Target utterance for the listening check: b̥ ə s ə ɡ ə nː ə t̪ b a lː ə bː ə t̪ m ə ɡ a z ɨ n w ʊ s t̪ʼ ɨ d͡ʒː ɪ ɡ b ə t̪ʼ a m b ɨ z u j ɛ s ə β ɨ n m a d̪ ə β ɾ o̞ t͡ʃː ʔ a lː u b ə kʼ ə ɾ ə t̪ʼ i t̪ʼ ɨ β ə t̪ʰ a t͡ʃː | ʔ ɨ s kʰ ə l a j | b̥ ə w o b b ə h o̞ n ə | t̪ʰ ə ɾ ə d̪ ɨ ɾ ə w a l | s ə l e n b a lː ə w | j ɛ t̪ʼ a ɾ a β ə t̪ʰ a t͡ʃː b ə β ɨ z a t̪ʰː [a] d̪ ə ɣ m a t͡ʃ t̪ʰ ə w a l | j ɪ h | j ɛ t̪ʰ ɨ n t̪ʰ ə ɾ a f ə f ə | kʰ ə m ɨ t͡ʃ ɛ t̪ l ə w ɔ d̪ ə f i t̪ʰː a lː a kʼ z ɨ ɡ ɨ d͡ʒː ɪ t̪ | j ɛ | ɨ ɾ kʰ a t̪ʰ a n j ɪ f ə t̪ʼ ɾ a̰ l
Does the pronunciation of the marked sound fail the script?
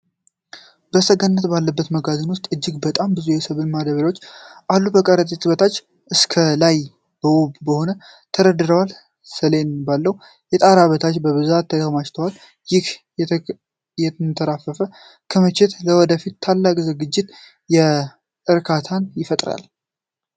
yes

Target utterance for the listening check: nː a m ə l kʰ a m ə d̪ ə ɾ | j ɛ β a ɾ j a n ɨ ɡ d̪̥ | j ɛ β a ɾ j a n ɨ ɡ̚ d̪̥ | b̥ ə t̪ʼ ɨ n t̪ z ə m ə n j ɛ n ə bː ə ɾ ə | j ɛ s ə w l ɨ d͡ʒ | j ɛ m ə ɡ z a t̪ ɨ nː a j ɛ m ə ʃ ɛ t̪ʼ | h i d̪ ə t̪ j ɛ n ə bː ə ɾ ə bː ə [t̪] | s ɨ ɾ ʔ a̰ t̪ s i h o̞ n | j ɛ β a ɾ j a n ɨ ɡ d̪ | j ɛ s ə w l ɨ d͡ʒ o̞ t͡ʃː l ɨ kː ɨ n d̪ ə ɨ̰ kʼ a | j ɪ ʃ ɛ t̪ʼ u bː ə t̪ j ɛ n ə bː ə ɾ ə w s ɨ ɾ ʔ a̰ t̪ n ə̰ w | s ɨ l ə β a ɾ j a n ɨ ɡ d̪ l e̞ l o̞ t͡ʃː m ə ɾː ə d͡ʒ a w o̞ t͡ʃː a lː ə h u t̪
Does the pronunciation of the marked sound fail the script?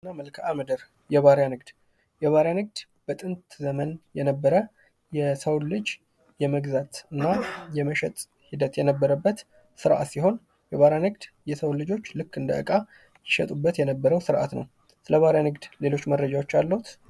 no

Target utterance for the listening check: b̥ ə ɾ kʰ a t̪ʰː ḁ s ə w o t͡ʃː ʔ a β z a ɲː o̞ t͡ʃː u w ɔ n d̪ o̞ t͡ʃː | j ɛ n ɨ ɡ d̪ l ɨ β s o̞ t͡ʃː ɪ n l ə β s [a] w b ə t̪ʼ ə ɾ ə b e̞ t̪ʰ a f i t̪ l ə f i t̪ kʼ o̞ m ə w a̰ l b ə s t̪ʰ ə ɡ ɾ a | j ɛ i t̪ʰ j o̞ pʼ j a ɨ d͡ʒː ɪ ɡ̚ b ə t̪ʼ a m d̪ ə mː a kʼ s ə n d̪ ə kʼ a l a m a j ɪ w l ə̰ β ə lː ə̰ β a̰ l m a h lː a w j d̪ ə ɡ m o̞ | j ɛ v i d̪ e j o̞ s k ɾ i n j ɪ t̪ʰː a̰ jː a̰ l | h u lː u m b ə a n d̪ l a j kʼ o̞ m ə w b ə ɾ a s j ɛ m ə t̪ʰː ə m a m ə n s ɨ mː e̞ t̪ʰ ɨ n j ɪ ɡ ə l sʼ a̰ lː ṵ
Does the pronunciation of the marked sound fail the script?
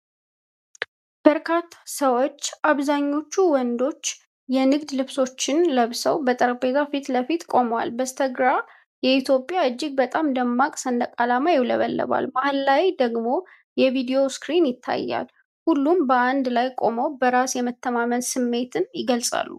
yes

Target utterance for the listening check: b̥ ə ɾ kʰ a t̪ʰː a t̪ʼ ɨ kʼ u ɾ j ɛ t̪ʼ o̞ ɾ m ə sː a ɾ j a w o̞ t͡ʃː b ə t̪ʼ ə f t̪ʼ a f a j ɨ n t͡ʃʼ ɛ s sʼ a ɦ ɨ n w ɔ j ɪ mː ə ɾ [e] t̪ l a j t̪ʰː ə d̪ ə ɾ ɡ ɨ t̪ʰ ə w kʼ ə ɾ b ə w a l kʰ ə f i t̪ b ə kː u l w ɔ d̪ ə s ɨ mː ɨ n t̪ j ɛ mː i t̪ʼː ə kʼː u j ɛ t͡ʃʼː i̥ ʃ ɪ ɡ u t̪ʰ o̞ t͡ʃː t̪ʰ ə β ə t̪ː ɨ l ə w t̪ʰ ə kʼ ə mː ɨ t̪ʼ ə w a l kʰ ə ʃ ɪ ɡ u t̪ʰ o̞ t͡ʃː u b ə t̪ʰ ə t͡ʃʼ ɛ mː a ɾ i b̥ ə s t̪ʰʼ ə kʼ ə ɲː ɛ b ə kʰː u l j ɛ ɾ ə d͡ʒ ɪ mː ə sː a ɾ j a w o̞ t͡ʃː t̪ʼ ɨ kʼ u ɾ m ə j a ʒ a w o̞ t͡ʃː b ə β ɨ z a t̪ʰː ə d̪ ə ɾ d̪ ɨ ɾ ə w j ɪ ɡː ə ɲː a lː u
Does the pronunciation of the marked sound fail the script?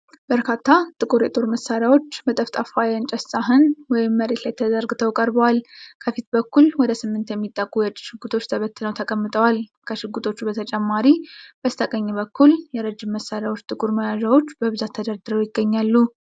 no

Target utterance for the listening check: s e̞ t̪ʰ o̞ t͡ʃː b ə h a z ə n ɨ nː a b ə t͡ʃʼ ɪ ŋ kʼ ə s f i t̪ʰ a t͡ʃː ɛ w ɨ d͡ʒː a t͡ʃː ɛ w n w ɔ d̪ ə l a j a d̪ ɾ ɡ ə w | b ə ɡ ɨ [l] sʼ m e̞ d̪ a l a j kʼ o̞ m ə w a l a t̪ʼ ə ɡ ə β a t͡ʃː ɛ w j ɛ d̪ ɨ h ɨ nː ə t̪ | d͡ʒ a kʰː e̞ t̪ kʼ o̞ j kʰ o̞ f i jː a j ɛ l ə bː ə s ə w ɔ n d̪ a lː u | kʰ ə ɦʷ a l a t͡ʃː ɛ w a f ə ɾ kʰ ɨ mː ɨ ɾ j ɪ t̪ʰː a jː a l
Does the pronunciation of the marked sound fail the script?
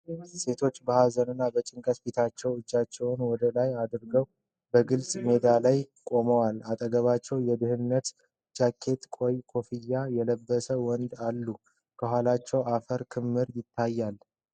no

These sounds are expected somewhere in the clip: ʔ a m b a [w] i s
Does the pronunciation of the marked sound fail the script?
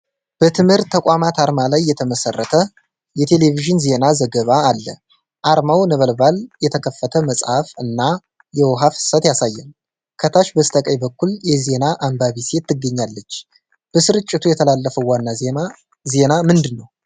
yes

